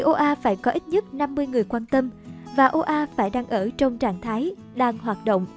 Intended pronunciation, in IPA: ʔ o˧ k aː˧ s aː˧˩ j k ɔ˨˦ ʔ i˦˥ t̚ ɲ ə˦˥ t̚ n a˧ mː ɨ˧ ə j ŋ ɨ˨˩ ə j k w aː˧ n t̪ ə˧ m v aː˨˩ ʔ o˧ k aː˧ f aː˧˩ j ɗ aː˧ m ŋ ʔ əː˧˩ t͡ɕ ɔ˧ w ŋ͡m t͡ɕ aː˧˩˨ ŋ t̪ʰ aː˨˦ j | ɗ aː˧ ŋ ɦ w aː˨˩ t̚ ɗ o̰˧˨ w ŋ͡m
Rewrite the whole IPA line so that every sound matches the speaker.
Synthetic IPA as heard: ʔ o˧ ʔ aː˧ f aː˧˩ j k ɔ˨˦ ʔ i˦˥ t̚ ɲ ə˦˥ t̚ n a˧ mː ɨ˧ ə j ŋ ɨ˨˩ ə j k w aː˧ n t̪ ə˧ m v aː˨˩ ʔ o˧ ʔ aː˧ f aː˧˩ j ɗ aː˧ ŋ ʔ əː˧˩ t͡ɕ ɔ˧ w ŋ͡m t͡ɕ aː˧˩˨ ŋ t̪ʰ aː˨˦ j | ɗ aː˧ ŋ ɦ w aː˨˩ t̚ ɗ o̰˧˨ w ŋ͡m